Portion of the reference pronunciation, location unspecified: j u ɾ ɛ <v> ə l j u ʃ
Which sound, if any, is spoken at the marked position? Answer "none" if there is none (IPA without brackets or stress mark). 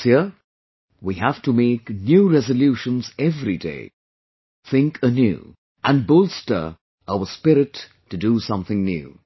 z